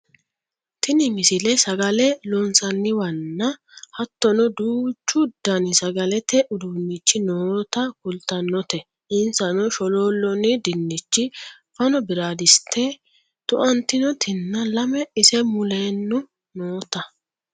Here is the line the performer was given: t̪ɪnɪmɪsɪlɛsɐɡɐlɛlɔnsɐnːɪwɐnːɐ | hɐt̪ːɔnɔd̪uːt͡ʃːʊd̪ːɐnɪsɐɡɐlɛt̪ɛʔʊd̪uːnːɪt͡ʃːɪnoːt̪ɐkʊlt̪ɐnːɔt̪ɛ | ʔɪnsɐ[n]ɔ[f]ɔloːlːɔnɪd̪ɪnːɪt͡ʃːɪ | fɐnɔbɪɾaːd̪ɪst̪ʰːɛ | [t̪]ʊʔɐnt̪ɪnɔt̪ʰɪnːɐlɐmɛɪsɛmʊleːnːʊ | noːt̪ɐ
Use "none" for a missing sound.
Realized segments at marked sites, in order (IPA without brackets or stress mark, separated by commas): n, ʃ, t̪